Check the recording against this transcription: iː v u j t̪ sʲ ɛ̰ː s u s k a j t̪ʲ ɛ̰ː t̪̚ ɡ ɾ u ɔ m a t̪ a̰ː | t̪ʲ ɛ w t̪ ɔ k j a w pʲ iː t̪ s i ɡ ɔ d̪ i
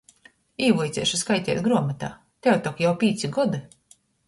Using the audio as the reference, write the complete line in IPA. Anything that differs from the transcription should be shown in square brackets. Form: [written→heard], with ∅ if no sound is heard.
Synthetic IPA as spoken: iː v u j t̪ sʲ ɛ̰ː [s→ʃ] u s k a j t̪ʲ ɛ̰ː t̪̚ ɡ ɾ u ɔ m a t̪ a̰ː | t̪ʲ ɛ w t̪ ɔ k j a w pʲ iː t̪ s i ɡ ɔ d̪ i

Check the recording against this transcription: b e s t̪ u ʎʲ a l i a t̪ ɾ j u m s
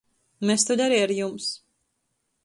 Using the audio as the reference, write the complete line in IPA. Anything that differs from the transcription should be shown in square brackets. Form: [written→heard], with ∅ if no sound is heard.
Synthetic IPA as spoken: [b→m] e s t̪ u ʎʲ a [l→ɾ] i a [t̪→∅] ɾ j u m s

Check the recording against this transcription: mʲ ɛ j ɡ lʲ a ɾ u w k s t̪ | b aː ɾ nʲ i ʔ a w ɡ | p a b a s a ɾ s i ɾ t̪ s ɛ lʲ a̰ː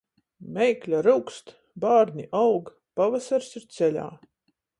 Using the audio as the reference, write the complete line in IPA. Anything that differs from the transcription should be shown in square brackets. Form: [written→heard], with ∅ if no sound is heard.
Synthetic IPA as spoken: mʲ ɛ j [ɡ→k] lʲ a ɾ u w k s t̪ | b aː ɾ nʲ i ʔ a w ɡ | p a [b→v] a s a ɾ s i ɾ t̪ s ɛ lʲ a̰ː

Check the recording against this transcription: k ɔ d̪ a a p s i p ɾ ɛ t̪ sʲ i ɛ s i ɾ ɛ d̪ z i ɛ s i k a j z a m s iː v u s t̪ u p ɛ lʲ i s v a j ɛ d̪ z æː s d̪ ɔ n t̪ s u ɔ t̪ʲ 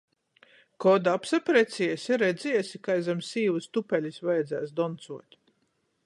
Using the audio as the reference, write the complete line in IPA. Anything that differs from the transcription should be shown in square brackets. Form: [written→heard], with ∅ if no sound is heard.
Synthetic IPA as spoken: k ɔ d̪ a a p s [i→a] p ɾ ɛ t̪ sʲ i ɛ s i ɾ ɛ d̪ z i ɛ s i k a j z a m s iː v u s t̪ u p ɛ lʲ i s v a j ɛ d̪ z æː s d̪ ɔ n t̪ s u ɔ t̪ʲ

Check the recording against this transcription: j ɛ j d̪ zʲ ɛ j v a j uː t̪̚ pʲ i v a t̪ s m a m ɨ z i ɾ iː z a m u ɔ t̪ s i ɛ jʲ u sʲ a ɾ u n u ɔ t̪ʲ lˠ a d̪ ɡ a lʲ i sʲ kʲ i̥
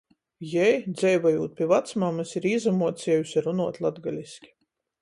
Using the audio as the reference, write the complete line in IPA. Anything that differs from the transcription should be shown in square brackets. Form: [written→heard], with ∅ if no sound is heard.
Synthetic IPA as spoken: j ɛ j d̪ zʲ ɛ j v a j uː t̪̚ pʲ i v a t̪ s m a m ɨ [z→s] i ɾ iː z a m u ɔ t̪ s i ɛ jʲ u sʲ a ɾ u n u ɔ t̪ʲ lˠ a d̪ ɡ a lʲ i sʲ kʲ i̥

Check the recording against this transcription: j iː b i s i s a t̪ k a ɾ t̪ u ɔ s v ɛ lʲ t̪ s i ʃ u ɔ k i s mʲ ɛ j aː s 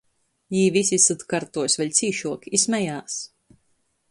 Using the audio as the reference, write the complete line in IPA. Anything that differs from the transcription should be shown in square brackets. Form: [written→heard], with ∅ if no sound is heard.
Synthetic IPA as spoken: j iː [b→v] i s i s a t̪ k a ɾ t̪ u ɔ s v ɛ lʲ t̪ s [i→iː] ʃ u ɔ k i s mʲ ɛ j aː s

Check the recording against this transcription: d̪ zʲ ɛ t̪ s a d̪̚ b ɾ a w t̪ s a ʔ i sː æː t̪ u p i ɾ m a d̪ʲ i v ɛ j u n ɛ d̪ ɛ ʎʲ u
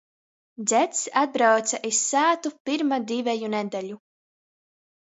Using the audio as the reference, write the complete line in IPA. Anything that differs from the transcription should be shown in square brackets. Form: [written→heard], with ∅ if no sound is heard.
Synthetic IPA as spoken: d̪ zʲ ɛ t̪ s a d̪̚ b ɾ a w t̪ s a ʔ i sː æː t̪ u p i ɾ m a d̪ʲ i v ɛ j u n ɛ d̪ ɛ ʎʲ u

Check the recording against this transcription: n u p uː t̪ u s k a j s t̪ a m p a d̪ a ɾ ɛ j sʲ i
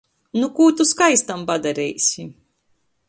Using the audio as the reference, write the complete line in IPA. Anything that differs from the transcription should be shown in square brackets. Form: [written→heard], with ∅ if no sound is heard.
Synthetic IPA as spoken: n u [p→k] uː t̪ u s k a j s t̪ a m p a d̪ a ɾ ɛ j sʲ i

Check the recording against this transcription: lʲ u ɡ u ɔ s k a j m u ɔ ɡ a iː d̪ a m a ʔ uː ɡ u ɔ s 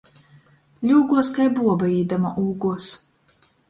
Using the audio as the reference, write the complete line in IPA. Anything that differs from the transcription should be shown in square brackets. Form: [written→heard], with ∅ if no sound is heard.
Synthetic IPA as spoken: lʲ [u→uː] ɡ u ɔ s k a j [m→b] u ɔ [ɡ→b] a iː d̪ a m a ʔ uː ɡ u ɔ s

